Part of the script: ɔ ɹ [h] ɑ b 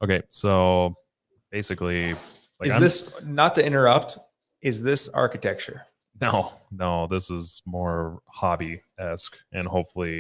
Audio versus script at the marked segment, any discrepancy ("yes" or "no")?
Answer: no